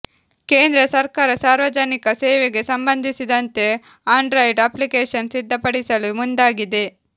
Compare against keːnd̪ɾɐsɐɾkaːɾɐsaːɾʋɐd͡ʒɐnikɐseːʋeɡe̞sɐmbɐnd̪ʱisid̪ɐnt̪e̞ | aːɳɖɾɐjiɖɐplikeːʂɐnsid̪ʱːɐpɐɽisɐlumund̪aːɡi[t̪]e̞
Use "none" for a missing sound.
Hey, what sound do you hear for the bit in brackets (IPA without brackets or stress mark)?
d̪